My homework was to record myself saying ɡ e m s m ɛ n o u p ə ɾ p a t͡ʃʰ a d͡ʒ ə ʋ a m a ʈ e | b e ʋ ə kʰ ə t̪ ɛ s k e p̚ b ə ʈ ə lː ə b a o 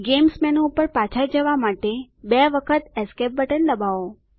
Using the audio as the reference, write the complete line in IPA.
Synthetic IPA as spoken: ɡ e m s m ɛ n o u p ə ɾ p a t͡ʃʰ a d͡ʒ ə ʋ a m a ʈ e | b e ʋ ə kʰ ə t̪ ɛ s k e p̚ b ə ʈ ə lː ə b a o